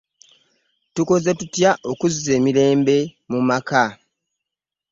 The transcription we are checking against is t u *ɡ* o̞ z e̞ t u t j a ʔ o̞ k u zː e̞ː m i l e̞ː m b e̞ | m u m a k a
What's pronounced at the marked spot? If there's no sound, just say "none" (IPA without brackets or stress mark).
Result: k